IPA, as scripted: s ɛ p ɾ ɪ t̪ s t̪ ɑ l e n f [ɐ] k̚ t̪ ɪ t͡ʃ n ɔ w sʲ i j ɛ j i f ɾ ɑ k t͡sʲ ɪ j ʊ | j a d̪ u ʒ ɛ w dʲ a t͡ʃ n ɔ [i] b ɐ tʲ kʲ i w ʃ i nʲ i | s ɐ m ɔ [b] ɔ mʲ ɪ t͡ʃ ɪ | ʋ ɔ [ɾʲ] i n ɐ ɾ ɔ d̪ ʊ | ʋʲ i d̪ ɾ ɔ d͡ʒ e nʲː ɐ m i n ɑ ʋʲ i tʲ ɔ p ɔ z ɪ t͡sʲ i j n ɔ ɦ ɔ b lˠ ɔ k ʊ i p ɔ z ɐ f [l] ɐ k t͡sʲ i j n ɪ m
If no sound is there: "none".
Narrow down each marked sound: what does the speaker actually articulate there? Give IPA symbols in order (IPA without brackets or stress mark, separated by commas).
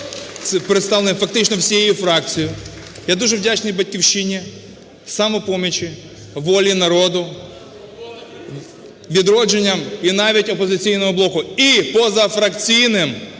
ɐ, j, p, lʲ, ɾ